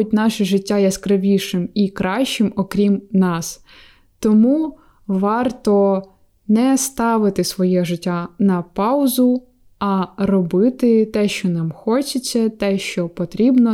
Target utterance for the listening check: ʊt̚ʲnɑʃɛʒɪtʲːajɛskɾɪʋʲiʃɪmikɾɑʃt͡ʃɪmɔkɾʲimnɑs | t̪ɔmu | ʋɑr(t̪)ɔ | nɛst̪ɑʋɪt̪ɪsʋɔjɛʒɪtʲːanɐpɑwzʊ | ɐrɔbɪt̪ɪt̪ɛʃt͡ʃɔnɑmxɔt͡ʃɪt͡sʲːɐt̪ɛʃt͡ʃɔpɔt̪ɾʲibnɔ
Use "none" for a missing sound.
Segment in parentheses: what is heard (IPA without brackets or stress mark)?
t̪